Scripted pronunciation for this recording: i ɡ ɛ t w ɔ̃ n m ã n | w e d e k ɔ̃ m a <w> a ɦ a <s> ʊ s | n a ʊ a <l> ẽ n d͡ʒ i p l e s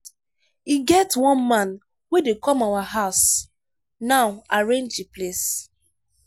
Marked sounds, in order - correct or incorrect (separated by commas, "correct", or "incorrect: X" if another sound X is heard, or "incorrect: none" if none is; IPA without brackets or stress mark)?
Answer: correct, incorrect: none, incorrect: ɹ